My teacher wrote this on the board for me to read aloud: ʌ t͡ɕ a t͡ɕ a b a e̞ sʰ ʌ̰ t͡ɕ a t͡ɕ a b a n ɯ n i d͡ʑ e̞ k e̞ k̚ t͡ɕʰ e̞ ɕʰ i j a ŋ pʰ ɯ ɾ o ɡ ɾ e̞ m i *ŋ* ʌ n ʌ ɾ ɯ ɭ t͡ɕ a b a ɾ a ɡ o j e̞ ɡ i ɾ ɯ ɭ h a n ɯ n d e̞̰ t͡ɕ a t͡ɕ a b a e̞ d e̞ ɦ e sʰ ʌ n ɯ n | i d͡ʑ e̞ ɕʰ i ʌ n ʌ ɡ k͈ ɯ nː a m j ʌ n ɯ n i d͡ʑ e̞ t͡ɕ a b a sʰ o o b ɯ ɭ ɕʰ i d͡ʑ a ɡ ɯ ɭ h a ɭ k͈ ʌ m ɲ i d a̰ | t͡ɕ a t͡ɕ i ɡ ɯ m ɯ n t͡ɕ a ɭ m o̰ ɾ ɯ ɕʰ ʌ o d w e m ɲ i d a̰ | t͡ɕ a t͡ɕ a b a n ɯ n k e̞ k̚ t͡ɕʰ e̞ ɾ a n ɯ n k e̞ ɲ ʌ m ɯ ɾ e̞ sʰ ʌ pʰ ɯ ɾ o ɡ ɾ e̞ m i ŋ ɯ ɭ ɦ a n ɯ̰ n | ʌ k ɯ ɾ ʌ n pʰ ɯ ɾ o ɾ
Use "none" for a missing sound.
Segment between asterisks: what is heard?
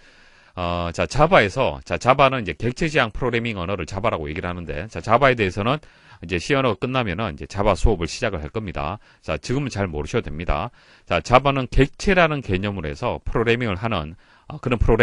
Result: ŋ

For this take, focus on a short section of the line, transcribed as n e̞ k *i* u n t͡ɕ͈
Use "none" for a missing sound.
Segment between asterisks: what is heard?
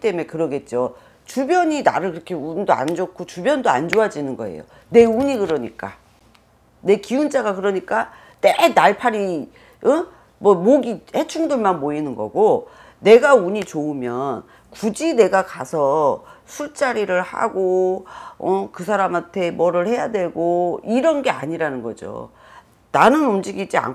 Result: i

